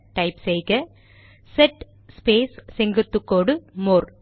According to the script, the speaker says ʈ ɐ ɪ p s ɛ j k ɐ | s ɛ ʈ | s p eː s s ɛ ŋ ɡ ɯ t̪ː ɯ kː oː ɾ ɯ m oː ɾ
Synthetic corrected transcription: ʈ ɐ ɪ p s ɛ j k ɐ | s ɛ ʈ | s p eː s s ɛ ŋ ɡ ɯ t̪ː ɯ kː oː ɽ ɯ m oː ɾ